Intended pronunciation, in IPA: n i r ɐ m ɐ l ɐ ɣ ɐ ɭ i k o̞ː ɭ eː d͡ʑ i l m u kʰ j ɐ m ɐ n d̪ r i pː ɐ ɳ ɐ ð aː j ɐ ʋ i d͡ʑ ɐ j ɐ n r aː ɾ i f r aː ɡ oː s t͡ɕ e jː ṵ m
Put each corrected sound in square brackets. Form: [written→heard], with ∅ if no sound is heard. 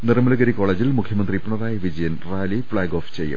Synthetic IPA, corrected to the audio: n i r ɐ m ɐ l ɐ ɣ ɐ [ɭ→ɾ] i k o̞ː ɭ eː d͡ʑ i l m u kʰ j ɐ m ɐ n d̪ r i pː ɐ ɳ ɐ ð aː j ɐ ʋ i d͡ʑ ɐ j ɐ n r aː [ɾ→l] i f [r→ɭ] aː ɡ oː [s→f] t͡ɕ e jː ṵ m